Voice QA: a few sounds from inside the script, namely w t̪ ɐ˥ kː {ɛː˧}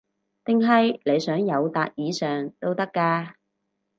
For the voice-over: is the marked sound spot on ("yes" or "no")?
no